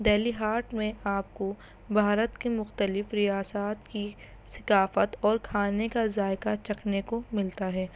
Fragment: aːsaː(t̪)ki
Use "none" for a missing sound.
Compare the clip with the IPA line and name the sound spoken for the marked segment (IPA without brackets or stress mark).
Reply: t̪